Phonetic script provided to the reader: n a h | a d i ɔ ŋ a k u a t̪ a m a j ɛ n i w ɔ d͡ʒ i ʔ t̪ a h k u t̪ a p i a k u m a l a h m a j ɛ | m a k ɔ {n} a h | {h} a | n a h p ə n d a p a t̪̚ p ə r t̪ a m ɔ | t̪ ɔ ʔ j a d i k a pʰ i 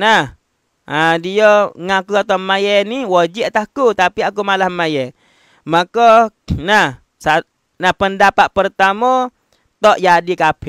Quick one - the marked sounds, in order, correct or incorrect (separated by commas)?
correct, incorrect